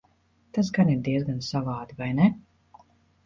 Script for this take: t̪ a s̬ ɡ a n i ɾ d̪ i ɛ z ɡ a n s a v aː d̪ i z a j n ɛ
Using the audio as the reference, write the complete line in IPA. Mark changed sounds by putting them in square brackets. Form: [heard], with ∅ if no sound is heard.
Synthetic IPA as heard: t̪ a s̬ ɡ a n i ɾ d̪ i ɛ z ɡ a n s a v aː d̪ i [v] a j n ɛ